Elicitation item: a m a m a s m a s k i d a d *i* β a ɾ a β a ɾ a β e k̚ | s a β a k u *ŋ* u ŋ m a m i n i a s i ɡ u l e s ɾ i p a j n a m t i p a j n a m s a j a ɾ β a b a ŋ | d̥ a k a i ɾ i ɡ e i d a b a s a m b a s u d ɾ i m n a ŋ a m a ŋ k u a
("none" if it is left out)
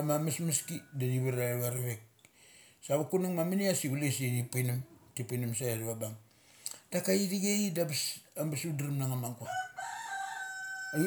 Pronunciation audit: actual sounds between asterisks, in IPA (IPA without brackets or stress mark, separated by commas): i, n